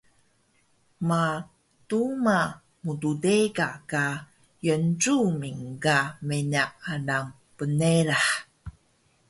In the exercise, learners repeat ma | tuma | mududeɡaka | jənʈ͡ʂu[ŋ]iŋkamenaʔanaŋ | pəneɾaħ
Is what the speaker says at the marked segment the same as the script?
no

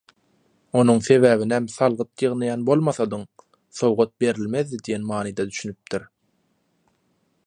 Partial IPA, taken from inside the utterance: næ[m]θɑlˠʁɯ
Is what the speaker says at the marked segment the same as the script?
yes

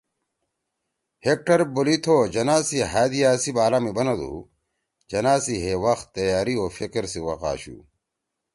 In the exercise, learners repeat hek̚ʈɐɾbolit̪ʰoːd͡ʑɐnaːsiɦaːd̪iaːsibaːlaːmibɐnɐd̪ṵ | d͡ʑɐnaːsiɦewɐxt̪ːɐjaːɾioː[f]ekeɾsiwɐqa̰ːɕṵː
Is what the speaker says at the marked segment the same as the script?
yes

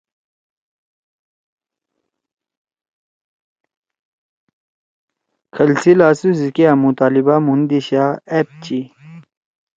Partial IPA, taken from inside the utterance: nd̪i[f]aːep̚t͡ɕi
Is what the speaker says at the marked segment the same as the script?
no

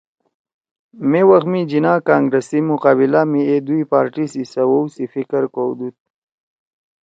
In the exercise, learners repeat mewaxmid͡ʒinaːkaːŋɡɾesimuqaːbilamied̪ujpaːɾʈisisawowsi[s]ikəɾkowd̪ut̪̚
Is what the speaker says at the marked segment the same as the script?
no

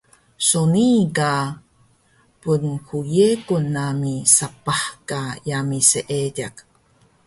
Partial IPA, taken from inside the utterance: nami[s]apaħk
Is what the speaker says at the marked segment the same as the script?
yes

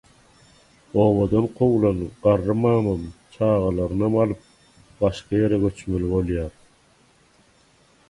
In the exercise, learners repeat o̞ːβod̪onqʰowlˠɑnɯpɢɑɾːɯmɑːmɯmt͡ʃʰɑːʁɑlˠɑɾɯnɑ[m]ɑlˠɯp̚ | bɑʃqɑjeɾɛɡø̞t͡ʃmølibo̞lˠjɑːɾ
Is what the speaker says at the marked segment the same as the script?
yes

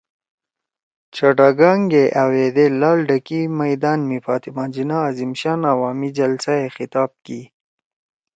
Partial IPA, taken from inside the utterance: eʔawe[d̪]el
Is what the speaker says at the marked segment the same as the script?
yes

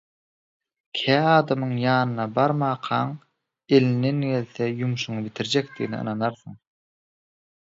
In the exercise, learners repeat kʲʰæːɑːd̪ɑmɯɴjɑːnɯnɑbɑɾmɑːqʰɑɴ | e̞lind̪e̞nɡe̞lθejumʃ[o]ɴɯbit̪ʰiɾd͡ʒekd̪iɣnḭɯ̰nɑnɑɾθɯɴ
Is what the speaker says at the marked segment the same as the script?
no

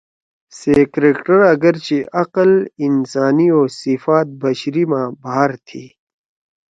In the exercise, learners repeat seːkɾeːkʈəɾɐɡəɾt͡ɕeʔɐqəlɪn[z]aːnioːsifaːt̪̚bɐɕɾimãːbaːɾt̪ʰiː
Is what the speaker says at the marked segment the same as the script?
no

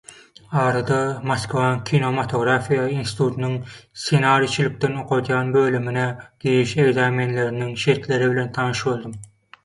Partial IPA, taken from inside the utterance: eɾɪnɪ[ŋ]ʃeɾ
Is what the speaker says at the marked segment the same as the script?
yes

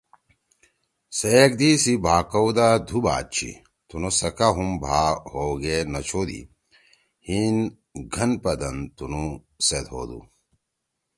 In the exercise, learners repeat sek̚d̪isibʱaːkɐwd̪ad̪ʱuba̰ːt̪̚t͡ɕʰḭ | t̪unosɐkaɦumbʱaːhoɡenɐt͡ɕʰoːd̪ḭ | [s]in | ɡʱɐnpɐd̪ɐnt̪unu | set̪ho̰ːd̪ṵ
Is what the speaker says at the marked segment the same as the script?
no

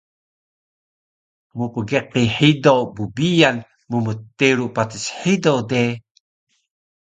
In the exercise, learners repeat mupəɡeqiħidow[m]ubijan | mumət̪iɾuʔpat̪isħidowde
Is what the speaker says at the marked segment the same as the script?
no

